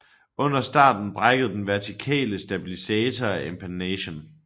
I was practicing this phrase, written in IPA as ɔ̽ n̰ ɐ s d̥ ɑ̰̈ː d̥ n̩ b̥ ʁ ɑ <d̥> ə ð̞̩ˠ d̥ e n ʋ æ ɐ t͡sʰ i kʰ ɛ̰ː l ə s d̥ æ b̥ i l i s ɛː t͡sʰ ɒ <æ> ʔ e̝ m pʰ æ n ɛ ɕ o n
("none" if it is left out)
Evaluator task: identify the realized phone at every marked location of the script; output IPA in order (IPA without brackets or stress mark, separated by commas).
ɡ̥, æ